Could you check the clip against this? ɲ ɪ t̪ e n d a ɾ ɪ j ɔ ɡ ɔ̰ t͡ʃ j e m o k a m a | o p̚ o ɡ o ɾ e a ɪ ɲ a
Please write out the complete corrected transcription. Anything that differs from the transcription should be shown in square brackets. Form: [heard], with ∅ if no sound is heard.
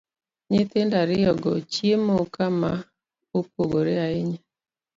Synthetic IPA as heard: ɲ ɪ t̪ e n d a ɾ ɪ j ɔ ɡ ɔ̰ t͡ʃ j e m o k a m a | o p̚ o ɡ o ɾ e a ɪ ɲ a